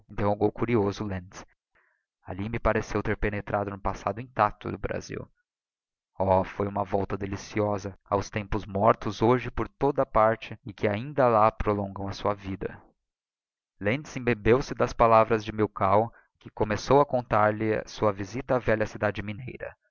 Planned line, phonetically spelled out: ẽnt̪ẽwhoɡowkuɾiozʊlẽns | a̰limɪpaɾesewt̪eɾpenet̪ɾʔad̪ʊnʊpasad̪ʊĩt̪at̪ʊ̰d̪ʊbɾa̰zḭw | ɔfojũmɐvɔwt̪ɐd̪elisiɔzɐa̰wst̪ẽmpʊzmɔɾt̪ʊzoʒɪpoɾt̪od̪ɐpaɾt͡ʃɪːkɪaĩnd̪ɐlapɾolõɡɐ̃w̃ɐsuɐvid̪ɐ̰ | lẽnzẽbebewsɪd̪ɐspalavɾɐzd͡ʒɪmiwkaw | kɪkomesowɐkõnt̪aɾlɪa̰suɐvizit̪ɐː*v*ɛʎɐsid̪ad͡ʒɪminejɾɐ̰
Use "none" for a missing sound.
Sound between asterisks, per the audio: v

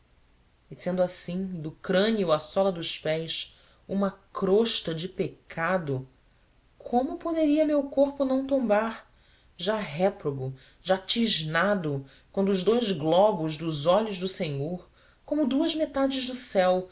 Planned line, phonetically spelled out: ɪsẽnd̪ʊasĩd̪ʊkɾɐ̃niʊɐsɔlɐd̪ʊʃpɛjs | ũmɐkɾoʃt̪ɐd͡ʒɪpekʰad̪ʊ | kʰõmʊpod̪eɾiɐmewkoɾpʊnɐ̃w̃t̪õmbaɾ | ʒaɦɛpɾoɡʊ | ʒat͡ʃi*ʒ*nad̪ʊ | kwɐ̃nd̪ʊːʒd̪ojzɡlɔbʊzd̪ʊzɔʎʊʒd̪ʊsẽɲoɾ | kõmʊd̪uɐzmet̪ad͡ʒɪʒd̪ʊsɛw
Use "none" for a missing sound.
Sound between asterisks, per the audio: ʒ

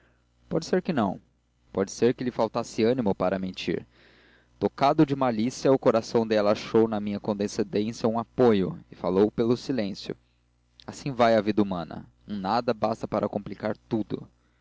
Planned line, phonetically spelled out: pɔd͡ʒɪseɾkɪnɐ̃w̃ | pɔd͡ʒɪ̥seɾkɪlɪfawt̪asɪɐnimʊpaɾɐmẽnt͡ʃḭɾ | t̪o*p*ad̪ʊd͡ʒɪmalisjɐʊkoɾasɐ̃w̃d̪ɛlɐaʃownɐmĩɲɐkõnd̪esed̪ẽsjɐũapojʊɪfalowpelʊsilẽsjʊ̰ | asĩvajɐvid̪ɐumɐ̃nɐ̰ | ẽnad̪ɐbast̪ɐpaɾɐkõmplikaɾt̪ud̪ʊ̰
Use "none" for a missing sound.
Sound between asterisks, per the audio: k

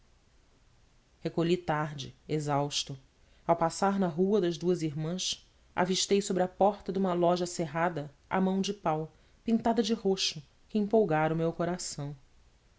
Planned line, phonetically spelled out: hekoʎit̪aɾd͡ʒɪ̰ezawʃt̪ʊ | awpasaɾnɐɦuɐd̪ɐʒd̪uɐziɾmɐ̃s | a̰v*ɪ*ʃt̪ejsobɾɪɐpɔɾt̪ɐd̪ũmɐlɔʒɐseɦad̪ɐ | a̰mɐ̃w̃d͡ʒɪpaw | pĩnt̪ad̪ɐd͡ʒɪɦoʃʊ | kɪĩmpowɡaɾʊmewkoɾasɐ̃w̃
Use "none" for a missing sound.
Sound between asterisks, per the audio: i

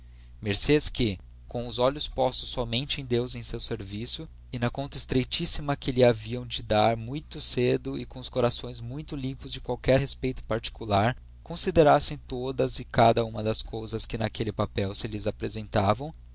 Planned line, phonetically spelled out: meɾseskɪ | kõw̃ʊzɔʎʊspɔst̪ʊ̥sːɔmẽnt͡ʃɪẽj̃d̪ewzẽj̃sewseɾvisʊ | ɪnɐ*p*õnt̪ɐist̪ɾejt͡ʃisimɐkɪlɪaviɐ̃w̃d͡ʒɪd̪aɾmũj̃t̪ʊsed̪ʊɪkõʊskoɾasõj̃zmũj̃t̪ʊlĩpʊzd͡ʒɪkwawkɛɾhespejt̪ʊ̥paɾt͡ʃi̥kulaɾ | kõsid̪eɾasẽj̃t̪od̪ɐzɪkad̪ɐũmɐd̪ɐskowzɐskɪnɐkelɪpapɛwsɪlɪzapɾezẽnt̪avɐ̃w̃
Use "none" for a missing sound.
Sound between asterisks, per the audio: k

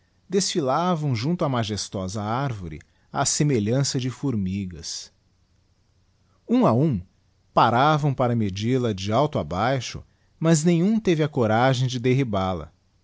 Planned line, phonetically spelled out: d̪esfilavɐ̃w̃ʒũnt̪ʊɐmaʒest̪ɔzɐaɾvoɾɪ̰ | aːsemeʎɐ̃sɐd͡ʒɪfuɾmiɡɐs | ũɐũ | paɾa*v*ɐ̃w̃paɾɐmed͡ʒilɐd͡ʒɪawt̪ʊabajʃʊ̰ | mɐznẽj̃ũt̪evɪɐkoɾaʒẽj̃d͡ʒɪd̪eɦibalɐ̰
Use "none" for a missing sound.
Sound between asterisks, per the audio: v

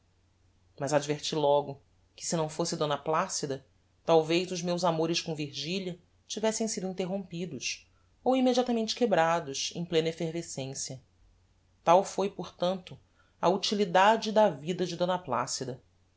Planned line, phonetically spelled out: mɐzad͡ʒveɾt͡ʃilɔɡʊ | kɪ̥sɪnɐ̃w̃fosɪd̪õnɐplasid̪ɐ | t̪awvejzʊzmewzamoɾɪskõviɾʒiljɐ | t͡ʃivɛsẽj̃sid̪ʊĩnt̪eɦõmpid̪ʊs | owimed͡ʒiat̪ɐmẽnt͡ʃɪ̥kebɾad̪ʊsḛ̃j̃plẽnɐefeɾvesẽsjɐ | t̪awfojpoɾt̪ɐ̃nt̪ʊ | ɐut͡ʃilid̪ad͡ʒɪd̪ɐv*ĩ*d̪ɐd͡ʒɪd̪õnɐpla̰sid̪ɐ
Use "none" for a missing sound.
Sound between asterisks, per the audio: i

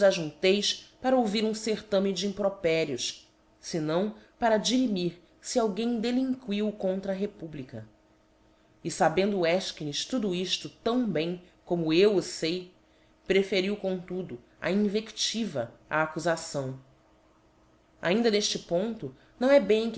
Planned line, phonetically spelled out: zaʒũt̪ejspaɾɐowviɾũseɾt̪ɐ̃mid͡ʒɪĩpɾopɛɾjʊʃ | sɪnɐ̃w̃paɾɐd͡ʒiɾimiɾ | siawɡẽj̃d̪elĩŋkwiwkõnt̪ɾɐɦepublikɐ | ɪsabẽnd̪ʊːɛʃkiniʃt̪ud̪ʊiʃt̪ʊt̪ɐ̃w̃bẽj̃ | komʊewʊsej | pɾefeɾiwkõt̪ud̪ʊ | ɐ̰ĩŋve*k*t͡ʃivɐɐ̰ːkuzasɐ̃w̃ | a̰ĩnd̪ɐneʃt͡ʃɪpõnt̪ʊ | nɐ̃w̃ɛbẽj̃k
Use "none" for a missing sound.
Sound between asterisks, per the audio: k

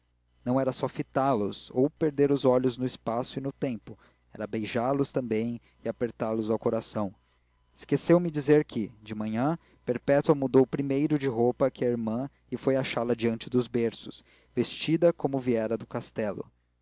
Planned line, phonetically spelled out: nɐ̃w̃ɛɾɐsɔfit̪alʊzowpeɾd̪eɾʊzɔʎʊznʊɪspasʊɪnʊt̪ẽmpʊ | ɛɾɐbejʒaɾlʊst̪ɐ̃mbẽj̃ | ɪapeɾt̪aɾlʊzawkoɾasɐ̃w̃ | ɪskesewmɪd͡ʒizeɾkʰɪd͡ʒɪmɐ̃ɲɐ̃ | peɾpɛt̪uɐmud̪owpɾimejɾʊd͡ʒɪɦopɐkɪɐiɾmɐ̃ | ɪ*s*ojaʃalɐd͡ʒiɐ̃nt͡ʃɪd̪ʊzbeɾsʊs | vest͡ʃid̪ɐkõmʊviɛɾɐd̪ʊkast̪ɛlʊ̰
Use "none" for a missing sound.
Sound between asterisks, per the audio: f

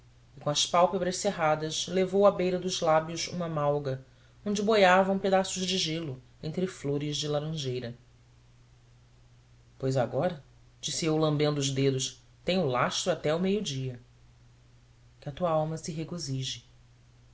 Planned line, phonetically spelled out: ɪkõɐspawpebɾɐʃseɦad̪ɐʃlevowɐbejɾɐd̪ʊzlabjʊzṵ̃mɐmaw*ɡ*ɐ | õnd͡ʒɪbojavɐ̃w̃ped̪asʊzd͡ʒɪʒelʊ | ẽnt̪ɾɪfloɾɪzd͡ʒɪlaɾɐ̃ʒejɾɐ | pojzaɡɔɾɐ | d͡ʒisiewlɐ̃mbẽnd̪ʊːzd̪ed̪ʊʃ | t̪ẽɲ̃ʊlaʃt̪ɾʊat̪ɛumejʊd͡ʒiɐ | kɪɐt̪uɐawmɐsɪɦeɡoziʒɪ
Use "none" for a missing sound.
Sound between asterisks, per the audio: ɡ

